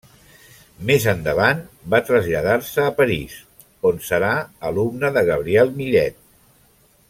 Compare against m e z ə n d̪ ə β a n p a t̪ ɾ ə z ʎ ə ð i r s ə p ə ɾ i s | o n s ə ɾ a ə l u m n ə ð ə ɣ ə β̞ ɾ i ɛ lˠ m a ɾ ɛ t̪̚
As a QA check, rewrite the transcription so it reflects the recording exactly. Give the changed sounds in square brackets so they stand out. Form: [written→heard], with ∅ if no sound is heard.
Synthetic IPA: m e z ə n d̪ ə β a n [p→b] a t̪ ɾ ə z ʎ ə ð [i→a] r s [ə→əː] p ə ɾ i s | o n s ə ɾ a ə l u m n ə ð ə ɣ ə β̞ ɾ i ɛ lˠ m [a→i] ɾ ɛ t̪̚